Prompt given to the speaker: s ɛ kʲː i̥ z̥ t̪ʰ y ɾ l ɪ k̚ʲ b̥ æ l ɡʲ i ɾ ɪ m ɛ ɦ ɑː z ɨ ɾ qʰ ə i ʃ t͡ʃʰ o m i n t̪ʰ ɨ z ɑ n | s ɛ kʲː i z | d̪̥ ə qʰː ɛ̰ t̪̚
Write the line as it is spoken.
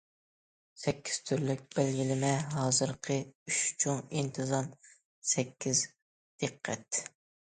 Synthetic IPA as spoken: s ɛ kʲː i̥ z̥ t̪ʰ y ɾ l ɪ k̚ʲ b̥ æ l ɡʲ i l ɪ m ɛ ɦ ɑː z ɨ ɾ qʰ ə y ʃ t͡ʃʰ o ŋ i n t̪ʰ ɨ z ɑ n | s ɛ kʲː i z | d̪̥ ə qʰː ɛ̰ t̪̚

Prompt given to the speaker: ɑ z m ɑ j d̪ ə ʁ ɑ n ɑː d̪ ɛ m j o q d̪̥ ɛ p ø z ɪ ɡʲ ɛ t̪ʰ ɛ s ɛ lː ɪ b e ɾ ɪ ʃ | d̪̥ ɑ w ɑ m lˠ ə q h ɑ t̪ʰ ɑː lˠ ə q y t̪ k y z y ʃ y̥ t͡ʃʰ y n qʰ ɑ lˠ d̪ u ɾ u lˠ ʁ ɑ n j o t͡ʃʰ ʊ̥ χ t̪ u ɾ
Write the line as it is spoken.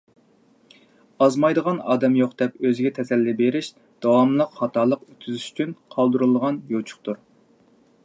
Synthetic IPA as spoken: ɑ z m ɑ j d̪ ə ʁ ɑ n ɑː d̪ ɛ m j o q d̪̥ ɛ p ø z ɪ ɡʲ ɛ t̪ʰ ɛ s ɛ lː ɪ b e ɾ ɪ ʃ | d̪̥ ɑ w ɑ m lˠ ə q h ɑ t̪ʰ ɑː lˠ ə q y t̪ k y z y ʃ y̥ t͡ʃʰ y n qʰ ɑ lˠ d̪ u ɾ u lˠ ʁ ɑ n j o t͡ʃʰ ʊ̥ χ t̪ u ɾ

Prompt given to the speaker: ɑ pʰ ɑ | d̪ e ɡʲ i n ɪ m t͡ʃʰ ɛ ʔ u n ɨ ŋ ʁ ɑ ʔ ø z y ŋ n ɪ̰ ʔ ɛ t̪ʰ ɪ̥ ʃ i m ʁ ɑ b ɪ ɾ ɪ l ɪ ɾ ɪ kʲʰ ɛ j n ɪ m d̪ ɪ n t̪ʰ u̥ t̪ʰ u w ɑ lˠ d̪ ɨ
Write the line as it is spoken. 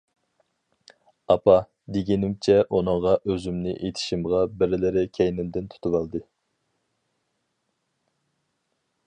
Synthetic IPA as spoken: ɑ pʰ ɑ | d̪ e ɡʲ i n ɪ m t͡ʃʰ ɛ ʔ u n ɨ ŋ ʁ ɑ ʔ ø z y m n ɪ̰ ʔ e t̪ʰ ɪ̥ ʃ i m ʁ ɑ b ɪ ɾ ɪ l ɪ ɾ ɪ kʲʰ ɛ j n ɪ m d̪ ɪ n t̪ʰ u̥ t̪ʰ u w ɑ lˠ d̪ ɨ

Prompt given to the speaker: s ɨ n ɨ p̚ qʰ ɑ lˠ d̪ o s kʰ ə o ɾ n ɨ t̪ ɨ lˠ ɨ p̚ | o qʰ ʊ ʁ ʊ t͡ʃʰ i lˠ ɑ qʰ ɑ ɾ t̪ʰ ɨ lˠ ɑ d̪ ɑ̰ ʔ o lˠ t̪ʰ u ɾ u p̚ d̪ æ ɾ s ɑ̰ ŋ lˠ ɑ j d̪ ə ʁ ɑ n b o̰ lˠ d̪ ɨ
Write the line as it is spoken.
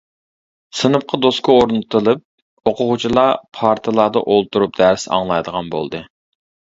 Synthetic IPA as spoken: s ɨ n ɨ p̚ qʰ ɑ d̪ o s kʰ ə o ɾ n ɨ t̪ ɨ lˠ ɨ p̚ | o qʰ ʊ ʁ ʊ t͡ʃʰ i lˠ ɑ pʰ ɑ ɾ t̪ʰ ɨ lˠ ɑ d̪ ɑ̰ ʔ o lˠ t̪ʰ u ɾ u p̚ d̪ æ ɾ s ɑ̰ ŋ lˠ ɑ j d̪ ə ʁ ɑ n b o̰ lˠ d̪ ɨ

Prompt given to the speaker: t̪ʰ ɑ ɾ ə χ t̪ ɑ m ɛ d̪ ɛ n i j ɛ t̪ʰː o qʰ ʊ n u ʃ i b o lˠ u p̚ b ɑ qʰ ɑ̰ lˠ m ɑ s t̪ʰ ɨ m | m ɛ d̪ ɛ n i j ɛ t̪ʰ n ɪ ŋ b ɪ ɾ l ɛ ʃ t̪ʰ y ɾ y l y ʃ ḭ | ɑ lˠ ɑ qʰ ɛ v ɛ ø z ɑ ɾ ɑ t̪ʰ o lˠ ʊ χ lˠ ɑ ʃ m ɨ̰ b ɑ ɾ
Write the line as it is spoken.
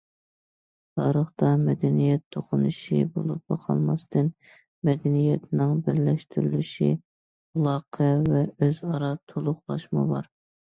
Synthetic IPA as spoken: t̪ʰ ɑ ɾ ə χ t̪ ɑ m ɛ d̪ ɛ n i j ɛ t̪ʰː o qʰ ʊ n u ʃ i b o lˠ u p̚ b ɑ qʰ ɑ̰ lˠ m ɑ s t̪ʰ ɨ n | m ɛ d̪ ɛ n i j ɛ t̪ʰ n ɪ ŋ b ɪ ɾ l ɛ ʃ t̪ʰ y ɾ y l y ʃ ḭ | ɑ lˠ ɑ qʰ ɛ v ɛ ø z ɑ ɾ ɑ t̪ʰ o lˠ ʊ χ lˠ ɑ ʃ m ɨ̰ b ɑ ɾ

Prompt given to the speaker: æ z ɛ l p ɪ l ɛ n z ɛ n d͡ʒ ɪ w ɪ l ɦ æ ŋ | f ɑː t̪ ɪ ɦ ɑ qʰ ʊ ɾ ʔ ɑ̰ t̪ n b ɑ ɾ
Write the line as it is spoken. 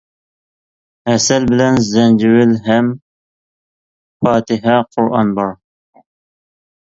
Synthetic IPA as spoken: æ s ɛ l b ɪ l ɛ n z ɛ n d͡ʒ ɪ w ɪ l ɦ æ m | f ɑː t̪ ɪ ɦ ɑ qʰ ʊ ɾ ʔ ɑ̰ n b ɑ ɾ

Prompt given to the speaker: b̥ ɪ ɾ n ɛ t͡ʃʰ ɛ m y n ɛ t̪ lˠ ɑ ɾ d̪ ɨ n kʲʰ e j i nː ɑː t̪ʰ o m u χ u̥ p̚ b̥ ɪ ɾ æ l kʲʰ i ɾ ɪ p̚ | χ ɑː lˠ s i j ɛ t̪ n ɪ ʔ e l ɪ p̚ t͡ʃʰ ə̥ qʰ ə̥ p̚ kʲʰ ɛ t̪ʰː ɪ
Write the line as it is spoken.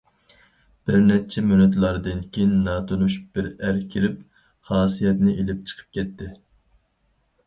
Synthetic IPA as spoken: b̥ ɪ ɾ n ɛ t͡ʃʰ ɛ m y n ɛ t̪ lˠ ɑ ɾ d̪ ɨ n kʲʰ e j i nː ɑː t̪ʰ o n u ʃ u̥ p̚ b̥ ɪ ɾ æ ɾ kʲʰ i ɾ ɪ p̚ | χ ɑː s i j ɛ t̪ n ɪ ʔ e l ɪ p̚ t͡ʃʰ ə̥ qʰ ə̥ p̚ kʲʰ ɛ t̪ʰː ɪ

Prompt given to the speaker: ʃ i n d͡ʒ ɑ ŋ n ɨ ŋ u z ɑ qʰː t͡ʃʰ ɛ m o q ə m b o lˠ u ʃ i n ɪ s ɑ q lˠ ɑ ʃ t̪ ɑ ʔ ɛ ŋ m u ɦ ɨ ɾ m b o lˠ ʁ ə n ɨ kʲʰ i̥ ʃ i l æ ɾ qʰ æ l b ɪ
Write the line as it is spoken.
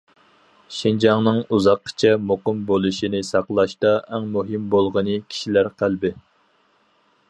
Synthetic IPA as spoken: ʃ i n d͡ʒ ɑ ŋ n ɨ ŋ u z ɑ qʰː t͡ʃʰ ɛ m o q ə m b o lˠ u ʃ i n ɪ s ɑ q lˠ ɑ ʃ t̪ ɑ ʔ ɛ ŋ m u ɦ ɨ m b o lˠ ʁ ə n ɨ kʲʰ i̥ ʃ i l æ ɾ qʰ æ l b ɪ

